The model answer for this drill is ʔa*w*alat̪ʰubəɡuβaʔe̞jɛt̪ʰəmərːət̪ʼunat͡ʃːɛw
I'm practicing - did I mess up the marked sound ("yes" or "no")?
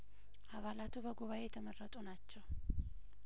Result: yes